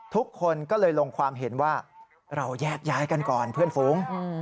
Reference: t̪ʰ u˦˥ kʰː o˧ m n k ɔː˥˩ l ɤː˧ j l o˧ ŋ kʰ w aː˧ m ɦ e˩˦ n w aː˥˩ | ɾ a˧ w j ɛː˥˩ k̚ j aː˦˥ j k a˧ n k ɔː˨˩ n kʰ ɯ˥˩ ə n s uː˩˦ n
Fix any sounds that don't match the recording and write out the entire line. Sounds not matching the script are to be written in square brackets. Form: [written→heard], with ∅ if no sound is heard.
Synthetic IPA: t̪ʰ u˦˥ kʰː o˧ [m→∅] n k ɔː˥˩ l ɤː˧ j l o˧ ŋ kʰ w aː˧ m ɦ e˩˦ n w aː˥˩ | ɾ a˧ w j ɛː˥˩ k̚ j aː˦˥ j k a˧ n k ɔː˨˩ n [kʰ→pʰ] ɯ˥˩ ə n [s→f] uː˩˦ [n→ŋ]